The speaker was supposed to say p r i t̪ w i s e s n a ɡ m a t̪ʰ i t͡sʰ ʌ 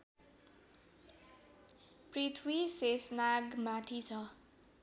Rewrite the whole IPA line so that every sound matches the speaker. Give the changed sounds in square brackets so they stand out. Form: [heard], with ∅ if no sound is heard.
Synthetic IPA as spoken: p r i [t̪ʰ] w i s e s n a ɡ m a t̪ʰ i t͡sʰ ʌ